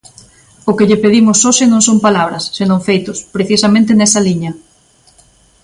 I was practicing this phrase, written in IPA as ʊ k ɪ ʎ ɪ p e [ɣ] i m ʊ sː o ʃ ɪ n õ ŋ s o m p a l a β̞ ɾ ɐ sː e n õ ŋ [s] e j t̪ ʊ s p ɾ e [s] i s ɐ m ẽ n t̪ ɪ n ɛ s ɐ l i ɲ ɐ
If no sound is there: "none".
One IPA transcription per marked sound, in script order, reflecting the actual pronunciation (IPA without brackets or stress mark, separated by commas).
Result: ð, f, θ